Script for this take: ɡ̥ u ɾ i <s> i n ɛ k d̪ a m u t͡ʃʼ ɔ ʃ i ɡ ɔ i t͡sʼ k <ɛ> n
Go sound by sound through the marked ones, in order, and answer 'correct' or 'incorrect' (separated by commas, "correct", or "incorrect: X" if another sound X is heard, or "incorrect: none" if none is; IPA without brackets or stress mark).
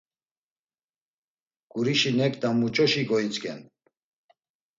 incorrect: ʃ, correct